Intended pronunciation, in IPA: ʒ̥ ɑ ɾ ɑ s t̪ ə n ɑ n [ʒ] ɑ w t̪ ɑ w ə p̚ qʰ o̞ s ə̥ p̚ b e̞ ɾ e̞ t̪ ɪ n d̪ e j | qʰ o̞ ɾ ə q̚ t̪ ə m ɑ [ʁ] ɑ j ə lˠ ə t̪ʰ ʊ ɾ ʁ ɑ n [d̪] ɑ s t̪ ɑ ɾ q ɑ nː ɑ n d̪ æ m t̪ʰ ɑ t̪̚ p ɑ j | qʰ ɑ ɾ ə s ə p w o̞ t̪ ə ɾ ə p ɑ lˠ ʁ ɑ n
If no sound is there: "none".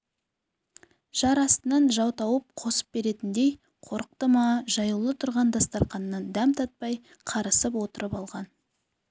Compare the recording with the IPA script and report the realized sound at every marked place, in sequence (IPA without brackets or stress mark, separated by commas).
ʒ, ʒ, d̪